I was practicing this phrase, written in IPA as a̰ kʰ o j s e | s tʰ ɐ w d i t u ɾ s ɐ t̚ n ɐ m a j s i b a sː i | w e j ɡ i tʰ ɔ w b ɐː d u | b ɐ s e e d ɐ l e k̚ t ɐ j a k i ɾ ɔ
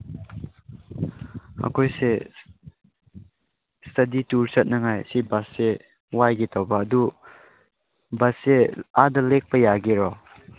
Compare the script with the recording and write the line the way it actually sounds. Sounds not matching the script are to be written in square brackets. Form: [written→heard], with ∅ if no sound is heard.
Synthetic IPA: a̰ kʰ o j s e | s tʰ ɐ [w→∅] d i t u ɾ s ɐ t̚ n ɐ [m→ŋ] a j s i b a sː [i→e] | w [e→a] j ɡ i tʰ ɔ w b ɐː d u | b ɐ s e [e→a] d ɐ l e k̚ [t→p] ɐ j a [k→ɡ] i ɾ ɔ